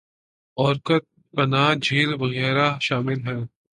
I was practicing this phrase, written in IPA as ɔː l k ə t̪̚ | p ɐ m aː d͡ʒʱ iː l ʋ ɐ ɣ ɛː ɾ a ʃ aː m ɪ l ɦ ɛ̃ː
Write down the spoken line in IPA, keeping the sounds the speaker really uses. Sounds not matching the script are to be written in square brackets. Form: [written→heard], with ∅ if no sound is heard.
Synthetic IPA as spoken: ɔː [l→ɾ] k ə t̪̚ | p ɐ [m→n] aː d͡ʒʱ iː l ʋ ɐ ɣ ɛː ɾ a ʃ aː m ɪ l ɦ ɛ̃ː